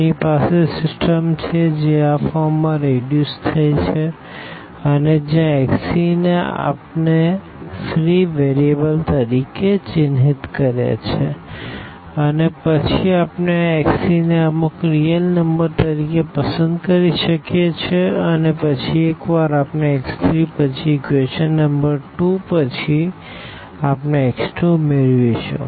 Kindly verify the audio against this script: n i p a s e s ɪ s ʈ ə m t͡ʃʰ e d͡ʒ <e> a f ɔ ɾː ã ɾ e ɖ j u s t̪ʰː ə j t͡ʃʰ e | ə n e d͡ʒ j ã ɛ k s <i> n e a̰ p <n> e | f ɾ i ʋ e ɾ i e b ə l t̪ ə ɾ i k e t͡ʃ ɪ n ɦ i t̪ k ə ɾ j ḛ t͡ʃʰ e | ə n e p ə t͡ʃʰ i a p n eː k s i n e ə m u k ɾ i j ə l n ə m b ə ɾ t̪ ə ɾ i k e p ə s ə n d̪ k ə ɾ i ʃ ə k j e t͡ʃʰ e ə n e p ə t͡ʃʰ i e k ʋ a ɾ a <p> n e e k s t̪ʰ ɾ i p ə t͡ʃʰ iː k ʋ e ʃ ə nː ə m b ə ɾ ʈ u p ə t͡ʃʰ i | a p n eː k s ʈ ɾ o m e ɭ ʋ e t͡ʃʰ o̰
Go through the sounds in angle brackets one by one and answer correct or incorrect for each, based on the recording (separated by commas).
correct, correct, correct, correct